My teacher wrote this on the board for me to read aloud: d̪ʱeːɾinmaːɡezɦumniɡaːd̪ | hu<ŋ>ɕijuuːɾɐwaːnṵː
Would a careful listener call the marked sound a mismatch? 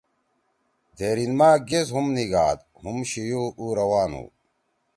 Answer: yes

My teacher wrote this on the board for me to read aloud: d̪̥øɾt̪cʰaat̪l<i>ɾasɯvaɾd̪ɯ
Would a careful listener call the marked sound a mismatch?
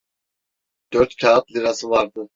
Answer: no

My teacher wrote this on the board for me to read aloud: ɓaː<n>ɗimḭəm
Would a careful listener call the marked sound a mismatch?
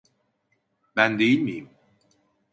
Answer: no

